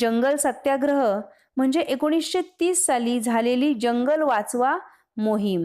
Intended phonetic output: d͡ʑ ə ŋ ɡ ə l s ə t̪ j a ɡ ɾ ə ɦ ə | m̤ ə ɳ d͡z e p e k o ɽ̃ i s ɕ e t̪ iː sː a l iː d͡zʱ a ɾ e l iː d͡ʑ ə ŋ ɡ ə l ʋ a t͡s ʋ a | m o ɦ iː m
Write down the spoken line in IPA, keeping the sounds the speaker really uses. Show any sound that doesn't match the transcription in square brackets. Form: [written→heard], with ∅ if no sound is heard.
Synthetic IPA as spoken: d͡ʑ ə ŋ ɡ ə l s ə t̪ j a ɡ ɾ ə ɦ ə | m̤ ə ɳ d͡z e [p→ʔ] e k o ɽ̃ i s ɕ e t̪ iː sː a l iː d͡zʱ a [ɾ→l] e l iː d͡ʑ ə ŋ ɡ ə l ʋ a t͡s ʋ a | m o ɦ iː m